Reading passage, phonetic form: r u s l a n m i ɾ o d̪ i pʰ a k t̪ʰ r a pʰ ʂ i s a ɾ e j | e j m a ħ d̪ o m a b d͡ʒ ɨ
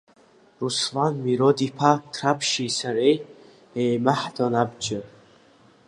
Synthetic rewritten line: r u s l a n m i ɾ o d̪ i pʰ a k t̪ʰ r a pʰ ʃ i s a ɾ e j | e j m a ħ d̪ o n a b d͡ʒ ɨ